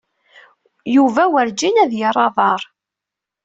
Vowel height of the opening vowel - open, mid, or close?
close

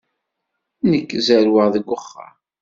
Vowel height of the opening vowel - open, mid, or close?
mid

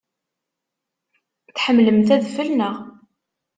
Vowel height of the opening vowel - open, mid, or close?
mid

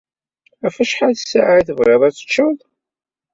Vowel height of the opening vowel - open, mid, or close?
open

